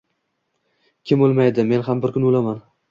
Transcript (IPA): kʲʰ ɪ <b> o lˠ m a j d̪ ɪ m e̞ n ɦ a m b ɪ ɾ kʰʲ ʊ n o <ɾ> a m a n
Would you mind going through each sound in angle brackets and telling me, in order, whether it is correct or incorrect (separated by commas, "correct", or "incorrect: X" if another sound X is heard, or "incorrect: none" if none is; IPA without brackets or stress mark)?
incorrect: m, incorrect: l